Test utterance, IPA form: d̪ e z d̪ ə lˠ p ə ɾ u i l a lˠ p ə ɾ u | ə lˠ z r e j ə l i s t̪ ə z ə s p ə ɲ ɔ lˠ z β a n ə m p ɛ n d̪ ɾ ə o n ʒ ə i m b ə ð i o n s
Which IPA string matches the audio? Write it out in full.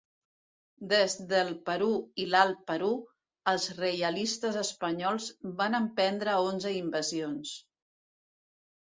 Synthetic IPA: d̪ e z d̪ ə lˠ p ə ɾ u i l a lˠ p ə ɾ u | ə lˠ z r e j ə l i s t̪ ə z ə s p ə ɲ ɔ lˠ z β a n ə m p ɛ n d̪ ɾ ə o n z ə i m b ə z i o n s